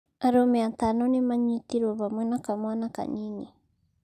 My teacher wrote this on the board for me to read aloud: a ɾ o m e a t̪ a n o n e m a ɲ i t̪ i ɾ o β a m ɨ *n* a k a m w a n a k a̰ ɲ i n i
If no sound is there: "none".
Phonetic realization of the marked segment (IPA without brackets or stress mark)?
n